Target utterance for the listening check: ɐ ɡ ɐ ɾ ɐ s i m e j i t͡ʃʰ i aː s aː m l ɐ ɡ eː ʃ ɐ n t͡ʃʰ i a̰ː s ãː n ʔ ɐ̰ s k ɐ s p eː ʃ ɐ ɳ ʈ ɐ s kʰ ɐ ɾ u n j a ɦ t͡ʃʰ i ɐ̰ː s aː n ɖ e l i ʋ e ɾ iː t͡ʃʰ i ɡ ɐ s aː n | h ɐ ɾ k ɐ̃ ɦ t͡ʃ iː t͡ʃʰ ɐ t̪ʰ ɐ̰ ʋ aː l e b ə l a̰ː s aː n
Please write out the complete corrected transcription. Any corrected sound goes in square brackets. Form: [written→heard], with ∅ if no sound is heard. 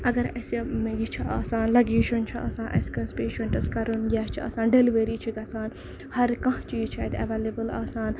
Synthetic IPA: ɐ ɡ ɐ ɾ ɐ s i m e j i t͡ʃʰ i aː s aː [m→n] l ɐ ɡ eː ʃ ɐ n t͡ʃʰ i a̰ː s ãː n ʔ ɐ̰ s k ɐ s p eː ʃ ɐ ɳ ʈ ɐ s [kʰ→k] ɐ ɾ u n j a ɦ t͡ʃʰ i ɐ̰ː s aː n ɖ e l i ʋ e ɾ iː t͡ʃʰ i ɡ ɐ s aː n | h ɐ ɾ k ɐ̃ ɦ t͡ʃ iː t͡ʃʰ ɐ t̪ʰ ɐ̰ ʋ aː l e b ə l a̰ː s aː n